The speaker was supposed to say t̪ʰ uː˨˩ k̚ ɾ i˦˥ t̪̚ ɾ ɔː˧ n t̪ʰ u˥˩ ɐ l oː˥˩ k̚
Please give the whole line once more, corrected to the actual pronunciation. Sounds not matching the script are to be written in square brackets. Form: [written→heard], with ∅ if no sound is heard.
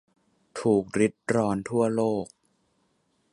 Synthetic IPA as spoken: t̪ʰ uː˨˩ k̚ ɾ i˦˥ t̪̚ ɾ ɔː˧ n t̪ʰ u˥˩ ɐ l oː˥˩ k̚